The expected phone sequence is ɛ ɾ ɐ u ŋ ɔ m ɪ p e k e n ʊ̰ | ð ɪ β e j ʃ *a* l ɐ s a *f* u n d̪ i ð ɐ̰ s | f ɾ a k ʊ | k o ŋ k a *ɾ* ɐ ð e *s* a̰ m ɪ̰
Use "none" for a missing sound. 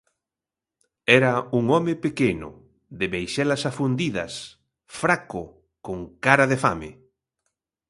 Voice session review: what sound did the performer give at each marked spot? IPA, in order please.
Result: ɛ, f, ɾ, f

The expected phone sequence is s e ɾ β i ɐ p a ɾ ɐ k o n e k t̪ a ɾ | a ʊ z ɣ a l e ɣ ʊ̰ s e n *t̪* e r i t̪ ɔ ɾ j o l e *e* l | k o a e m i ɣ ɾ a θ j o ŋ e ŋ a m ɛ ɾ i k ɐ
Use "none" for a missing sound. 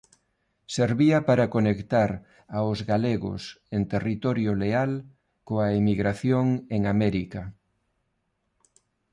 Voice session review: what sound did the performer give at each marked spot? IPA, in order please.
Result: t̪, a

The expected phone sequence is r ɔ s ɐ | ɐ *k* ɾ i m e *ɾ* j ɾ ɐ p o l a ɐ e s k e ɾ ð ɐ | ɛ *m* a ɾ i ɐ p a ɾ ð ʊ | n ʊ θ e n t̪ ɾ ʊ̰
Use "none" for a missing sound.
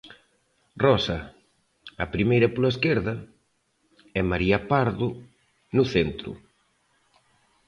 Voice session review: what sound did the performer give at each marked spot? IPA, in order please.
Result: p, none, m

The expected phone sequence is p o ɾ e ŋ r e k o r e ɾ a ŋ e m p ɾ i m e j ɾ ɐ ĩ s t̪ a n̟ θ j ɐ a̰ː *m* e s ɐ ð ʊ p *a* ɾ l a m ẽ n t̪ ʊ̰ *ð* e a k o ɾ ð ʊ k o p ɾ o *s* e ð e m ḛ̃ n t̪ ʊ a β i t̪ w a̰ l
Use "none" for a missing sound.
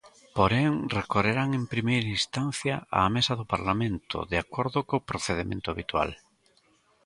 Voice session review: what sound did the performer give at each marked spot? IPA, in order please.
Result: m, a, ð, θ

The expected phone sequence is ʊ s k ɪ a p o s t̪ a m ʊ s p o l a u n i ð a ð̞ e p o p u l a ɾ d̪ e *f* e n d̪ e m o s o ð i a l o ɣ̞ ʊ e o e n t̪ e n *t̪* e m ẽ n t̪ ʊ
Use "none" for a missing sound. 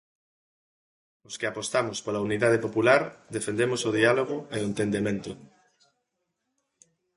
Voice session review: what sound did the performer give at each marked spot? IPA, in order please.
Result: f, d̪

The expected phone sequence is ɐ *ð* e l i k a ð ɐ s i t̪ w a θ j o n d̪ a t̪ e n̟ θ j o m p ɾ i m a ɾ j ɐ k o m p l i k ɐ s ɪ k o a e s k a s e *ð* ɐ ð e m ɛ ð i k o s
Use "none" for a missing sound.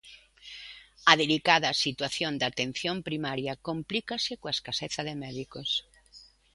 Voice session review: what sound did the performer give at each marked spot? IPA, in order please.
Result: ð, θ

